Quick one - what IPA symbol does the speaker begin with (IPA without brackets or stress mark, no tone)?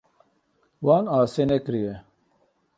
w